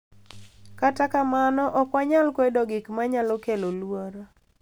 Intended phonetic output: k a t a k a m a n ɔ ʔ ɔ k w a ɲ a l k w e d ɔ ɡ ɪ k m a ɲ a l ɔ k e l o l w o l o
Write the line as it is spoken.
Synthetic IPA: k a t a k a m a n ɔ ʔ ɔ k w a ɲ a l k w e d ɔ ɡ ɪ k m a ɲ a l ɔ k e l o l w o ɾ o